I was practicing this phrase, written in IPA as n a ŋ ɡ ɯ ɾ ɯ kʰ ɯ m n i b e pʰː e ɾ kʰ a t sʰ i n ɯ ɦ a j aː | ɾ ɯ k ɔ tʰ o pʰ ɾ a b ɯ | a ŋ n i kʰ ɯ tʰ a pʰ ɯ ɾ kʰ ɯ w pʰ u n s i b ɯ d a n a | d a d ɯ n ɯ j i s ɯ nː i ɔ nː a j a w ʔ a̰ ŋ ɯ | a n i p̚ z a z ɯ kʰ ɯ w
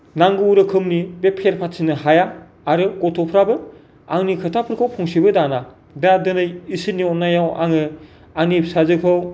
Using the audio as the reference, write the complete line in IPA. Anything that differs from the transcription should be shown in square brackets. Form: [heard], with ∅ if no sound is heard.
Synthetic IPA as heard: n a ŋ ɡ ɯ ɾ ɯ kʰ ɯ m n i b e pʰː e ɾ [pʰ] a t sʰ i n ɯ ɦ a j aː | ɾ ɯ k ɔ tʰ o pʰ ɾ a b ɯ | a ŋ n i kʰ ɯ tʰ a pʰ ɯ ɾ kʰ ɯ w pʰ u [ŋ] s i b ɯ d a n a | d a d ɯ n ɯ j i s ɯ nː i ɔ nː a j a w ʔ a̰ ŋ ɯ | a n i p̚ [s] a z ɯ kʰ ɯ w

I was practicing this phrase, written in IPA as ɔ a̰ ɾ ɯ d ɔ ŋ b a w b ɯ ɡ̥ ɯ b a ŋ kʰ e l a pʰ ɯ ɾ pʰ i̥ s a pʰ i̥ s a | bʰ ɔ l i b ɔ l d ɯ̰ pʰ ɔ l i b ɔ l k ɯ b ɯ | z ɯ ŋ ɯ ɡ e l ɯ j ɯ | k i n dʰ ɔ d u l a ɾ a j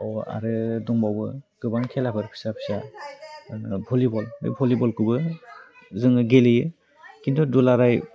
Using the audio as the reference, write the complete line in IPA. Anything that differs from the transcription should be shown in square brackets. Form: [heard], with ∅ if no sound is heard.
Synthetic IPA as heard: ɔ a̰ ɾ ɯ d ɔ ŋ b a w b ɯ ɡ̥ ɯ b a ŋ kʰ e l a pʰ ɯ ɾ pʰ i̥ s a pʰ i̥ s a | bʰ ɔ l i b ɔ l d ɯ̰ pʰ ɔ l i b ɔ l k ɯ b ɯ | z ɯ ŋ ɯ ɡ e l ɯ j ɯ | k i n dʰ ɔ d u l a ɾ a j

